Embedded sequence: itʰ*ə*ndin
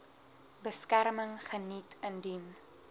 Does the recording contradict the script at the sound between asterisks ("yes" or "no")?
no